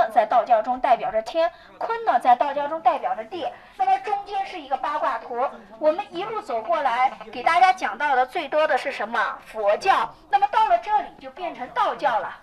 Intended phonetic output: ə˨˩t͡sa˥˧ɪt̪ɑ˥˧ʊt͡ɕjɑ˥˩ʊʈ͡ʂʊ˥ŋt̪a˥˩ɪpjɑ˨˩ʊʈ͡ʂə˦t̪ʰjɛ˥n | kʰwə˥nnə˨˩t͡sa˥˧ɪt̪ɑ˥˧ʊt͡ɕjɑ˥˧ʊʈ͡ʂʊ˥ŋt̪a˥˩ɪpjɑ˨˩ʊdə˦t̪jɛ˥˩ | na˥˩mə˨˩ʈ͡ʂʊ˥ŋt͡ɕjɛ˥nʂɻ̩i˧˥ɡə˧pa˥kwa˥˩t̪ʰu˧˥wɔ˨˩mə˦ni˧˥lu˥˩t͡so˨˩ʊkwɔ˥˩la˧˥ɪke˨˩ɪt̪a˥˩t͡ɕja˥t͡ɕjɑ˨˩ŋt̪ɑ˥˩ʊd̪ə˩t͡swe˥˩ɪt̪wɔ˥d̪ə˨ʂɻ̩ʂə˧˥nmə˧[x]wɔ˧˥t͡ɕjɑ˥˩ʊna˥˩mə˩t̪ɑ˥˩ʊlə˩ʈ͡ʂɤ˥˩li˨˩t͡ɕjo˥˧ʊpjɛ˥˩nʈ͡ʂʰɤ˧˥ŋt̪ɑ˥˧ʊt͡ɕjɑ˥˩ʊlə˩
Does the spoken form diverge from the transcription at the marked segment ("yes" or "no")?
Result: yes